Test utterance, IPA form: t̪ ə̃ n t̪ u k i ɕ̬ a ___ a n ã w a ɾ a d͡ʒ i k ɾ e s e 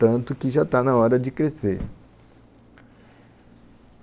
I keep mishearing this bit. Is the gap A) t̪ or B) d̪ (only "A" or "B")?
A